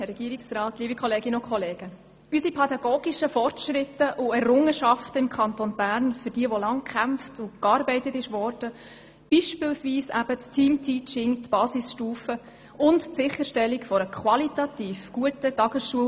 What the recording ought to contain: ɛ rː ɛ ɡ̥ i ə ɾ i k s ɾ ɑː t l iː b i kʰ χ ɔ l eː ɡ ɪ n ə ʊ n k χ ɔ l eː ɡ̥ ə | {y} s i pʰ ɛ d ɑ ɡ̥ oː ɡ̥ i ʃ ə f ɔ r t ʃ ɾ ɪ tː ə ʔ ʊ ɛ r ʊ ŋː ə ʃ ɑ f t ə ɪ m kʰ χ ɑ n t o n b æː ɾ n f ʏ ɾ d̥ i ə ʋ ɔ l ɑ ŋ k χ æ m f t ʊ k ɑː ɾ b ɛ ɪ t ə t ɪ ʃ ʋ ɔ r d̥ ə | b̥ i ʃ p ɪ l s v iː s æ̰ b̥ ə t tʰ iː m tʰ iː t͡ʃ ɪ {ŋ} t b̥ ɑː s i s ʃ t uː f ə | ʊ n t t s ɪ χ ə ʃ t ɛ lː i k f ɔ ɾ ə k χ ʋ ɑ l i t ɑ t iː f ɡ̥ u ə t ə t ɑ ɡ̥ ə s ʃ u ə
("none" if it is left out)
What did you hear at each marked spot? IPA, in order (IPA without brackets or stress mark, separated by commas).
y, ŋ